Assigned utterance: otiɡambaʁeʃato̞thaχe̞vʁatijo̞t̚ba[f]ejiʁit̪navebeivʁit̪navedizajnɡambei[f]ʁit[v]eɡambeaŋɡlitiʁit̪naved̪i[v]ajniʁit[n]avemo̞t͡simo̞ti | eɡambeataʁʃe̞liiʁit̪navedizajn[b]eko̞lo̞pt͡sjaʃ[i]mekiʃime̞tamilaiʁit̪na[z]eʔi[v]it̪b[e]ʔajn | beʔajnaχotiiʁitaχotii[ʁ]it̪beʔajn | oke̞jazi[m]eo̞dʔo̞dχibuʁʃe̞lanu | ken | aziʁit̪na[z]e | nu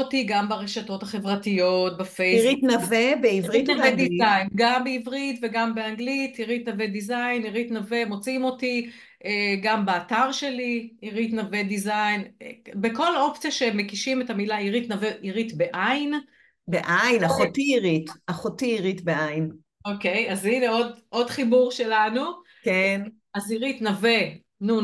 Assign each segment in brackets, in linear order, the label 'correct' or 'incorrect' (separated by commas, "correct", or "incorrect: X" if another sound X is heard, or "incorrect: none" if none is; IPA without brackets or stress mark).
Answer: correct, incorrect: v, correct, incorrect: z, correct, correct, incorrect: e, incorrect: v, incorrect: ʁ, correct, correct, incorrect: n, incorrect: v